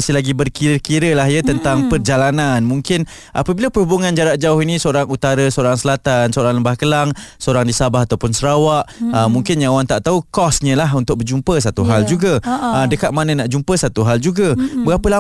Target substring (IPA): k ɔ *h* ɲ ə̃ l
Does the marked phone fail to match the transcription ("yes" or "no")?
yes